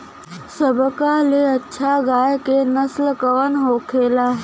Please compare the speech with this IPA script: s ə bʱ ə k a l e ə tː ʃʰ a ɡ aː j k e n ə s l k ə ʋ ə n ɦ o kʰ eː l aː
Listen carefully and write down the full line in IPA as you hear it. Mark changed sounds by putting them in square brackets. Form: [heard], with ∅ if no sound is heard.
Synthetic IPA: s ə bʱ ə k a l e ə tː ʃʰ a ɡ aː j k e n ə s l k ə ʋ ə n ɦ o kʰ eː l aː